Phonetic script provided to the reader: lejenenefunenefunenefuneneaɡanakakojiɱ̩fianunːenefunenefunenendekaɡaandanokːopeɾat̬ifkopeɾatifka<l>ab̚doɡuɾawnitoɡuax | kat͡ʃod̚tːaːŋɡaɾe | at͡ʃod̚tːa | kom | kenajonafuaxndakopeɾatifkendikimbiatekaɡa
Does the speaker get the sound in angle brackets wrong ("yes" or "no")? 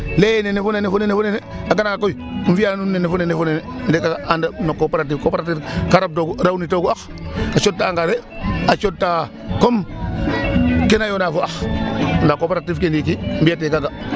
yes